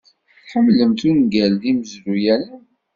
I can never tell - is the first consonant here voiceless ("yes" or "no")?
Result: yes